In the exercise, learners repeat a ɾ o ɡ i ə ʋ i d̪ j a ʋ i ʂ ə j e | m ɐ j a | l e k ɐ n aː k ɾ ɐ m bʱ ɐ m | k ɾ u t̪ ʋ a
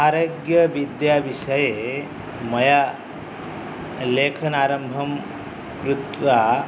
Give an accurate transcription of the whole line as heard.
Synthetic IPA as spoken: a ɾ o ɡ j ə ʋ i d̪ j a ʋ i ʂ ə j e | m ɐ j a | l e kʰ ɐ n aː ɾ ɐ m bʱ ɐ m | k ɾ u t̪ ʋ a